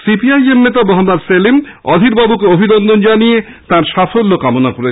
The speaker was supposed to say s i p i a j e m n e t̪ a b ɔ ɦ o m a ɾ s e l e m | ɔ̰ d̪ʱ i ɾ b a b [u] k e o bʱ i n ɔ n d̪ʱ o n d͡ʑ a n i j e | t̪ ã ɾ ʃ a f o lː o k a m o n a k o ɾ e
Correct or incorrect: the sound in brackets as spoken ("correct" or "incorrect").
correct